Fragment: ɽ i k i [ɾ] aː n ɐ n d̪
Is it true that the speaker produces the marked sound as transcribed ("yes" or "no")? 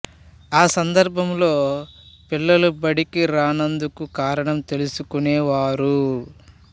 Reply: yes